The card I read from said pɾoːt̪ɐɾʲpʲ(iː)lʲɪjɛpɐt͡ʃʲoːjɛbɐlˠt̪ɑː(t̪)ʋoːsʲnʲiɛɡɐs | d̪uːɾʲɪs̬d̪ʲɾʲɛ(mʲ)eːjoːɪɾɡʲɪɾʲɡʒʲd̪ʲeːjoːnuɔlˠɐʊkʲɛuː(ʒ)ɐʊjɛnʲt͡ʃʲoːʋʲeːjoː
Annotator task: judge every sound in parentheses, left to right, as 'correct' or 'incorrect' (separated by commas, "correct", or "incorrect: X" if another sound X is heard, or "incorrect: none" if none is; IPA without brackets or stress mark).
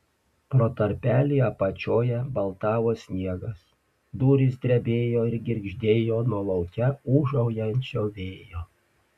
incorrect: æː, incorrect: none, incorrect: bʲ, correct